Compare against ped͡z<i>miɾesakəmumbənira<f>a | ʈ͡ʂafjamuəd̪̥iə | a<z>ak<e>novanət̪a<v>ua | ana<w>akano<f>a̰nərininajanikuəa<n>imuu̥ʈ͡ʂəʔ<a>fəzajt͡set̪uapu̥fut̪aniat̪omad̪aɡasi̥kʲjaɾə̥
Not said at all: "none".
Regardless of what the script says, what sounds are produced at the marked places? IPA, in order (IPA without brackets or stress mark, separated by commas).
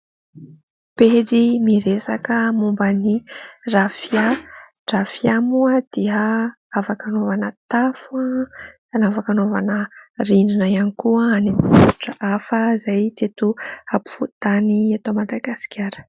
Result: i, f, v, a, f, v, v, n, a